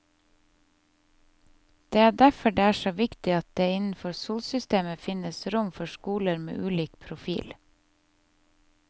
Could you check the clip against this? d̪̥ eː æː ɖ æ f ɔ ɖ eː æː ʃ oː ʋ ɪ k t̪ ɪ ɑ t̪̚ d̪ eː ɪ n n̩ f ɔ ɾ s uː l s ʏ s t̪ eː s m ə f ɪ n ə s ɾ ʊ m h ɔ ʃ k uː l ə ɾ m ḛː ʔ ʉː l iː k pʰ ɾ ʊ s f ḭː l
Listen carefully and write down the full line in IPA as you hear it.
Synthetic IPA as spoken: d̪̥ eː æː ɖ æ f ɔ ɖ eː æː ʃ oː ʋ ɪ k t̪ ɪ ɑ t̪̚ d̪ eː ɪ n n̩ f ɔ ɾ s uː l s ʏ s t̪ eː m ə f ɪ n ə s ɾ ʊ m f ɔ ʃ k uː l ə ɾ m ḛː ʔ ʉː l iː k pʰ ɾ ʊ f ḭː l